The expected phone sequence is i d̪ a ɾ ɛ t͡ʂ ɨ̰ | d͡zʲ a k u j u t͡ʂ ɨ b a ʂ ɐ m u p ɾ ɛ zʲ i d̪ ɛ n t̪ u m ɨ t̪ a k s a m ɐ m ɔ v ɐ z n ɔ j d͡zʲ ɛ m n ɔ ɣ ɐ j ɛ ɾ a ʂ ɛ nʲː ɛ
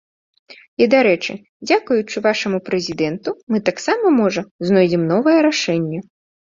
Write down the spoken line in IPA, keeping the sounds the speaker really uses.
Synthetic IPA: i d̪ a ɾ ɛ t͡ʂ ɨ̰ | d͡zʲ a k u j u t͡ʂ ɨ v a ʂ ɐ m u p ɾ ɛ zʲ i d̪ ɛ n t̪ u m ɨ t̪ a k s a m ɐ m ɔ ʐ ɐ z n ɔ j d͡zʲ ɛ m n ɔ v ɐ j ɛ ɾ a ʂ ɛ nʲː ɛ

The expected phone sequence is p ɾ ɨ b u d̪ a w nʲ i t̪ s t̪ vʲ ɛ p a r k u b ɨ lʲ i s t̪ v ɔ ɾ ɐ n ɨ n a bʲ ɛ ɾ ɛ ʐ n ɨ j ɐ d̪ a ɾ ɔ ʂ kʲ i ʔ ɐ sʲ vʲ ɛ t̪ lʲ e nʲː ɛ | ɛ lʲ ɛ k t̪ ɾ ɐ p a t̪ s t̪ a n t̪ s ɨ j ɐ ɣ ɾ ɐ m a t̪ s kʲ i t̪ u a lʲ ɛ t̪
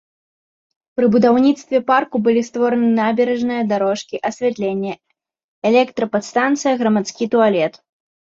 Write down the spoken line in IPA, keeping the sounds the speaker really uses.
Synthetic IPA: p ɾ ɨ b u d̪ a w nʲ i t̪ s t̪ vʲ ɛ p a r k u b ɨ lʲ i s t̪ v ɔ ɾ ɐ n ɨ n a bʲ ɛ ɾ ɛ ʐ n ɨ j ɐ d̪ a ɾ ɔ ʂ kʲ i ʔ ɐ sʲ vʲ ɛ t̪ lʲ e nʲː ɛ | ɛ lʲ ɛ k t̪ ɾ ɐ p a t̪ s t̪ a n t̪ s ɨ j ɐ ɣ ɾ ɐ m a t̪ s kʲ i t̪ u a lʲ ɛ t̪

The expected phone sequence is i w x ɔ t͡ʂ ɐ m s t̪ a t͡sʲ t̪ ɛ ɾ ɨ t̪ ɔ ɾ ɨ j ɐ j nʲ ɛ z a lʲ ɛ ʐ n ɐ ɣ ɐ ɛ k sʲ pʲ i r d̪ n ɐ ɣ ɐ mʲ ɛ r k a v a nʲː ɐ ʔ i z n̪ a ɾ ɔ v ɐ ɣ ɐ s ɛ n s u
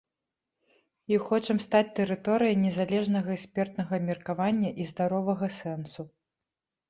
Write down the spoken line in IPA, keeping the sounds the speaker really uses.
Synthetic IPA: i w x ɔ t͡ʂ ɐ m s t̪ a t͡sʲ t̪ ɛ ɾ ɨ t̪ ɔ ɾ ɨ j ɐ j nʲ ɛ z a lʲ ɛ ʐ n ɐ ɣ ɐ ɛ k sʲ pʲ ɛ r t̪ n ɐ ɣ ɐ mʲ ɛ r k a v a nʲː ɐ ʔ i z d̪ a ɾ ɔ v ɐ ɣ ɐ s ɛ n s u

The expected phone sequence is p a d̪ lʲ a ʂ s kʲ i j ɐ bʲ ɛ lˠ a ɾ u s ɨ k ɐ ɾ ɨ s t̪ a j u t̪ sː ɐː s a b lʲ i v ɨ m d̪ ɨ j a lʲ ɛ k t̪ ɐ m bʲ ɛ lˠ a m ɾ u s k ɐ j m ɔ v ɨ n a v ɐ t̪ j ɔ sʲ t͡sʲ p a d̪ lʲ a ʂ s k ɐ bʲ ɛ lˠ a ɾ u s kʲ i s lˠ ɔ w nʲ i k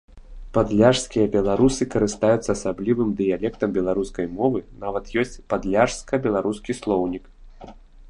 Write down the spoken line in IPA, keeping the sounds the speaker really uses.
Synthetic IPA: p a d̪ lʲ a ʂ s kʲ i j ɐ bʲ ɛ lˠ a ɾ u s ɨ k ɐ ɾ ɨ s t̪ a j u t̪ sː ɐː s a b lʲ i v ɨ m d̪ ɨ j a lʲ ɛ k t̪ ɐ m bʲ ɛ lˠ a ɾ u s k ɐ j m ɔ v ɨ n a v ɐ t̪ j ɔ sʲ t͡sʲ p a d̪ lʲ a ʂ s k ɐ bʲ ɛ lˠ a ɾ u s kʲ i s lˠ ɔ w nʲ i k

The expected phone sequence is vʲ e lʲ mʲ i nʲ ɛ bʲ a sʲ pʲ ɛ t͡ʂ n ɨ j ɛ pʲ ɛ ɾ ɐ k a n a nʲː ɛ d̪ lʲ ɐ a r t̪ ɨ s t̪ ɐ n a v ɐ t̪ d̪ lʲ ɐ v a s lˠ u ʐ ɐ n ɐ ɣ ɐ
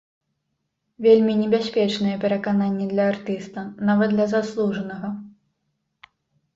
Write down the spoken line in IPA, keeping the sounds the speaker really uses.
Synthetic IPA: vʲ e lʲ mʲ i nʲ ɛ bʲ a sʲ pʲ ɛ t͡ʂ n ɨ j ɛ pʲ ɛ ɾ ɐ k a n a nʲː ɛ d̪ lʲ ɐ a r t̪ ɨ s t̪ ɐ n a v ɐ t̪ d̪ lʲ ɐ z a s lˠ u ʐ ɐ n ɐ ɣ ɐ

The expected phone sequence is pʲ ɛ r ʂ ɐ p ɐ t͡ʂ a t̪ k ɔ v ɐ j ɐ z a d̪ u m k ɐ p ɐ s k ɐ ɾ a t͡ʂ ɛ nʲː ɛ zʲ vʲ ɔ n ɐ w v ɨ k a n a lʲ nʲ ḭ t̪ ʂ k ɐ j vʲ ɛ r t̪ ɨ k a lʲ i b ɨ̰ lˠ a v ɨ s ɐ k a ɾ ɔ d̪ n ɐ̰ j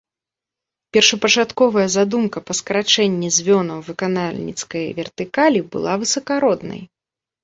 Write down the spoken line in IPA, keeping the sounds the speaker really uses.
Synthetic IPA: pʲ ɛ r ʂ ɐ p ɐ t͡ʂ a t̪ k ɔ v ɐ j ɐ z a d̪ u m k ɐ p ɐ s k ɐ ɾ a t͡ʂ ɛ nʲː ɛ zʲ vʲ ɔ n ɐ w v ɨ k a n a lʲ nʲ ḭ t̪ s k ɐ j vʲ ɛ r t̪ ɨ k a lʲ i b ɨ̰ lˠ a v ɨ s ɐ k a ɾ ɔ d̪ n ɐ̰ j

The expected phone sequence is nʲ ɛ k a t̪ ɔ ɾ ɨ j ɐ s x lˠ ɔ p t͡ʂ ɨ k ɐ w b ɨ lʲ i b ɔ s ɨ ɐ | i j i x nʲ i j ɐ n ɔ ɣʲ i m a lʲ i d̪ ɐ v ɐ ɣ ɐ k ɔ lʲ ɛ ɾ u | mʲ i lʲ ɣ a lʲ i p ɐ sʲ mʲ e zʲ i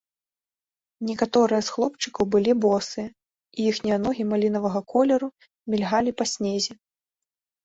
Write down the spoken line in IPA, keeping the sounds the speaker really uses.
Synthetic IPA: nʲ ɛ k a t̪ ɔ ɾ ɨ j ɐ s x lˠ ɔ p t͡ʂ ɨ k ɐ w b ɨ lʲ i b ɔ s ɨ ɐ | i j i x nʲ i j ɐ n ɔ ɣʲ i m a lʲ i n̪ ɐ v ɐ ɣ ɐ k ɔ lʲ ɛ ɾ u | mʲ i lʲ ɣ a lʲ i p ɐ sʲ nʲ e zʲ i

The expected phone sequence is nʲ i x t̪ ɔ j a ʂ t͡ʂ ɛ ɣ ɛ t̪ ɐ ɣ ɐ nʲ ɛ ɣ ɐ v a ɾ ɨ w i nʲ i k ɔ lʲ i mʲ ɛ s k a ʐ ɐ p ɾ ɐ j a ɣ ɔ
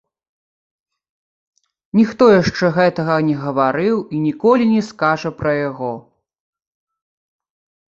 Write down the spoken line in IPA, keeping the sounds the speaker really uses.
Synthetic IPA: nʲ i x t̪ ɔ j a ʂ t͡ʂ ɛ ɣ ɛ t̪ ɐ ɣ ɐ nʲ ɛ ɣ ɐ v a ɾ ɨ w i nʲ i k ɔ lʲ i nʲ ɛ s k a ʐ ɐ p ɾ ɐ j a ɣ ɔ

